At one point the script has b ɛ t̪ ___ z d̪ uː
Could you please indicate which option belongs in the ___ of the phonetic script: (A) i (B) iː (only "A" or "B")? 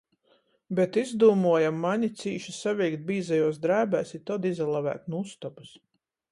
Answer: A